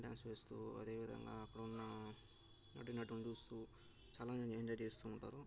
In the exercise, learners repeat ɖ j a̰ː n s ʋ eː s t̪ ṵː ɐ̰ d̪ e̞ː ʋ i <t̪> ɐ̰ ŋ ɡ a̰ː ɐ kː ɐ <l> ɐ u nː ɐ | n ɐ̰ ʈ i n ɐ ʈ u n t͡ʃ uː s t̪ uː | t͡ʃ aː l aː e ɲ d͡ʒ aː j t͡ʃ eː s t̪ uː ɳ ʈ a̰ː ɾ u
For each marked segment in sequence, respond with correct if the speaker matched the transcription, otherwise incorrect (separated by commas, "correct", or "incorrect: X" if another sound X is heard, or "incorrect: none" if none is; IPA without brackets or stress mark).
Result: incorrect: d̪, incorrect: ɽ